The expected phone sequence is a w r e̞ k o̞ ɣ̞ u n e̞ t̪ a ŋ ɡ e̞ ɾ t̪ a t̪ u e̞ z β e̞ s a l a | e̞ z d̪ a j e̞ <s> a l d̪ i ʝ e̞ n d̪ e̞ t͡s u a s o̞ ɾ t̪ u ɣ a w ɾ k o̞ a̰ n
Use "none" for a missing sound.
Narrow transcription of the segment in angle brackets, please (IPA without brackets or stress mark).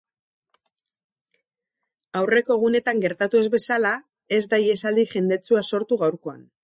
s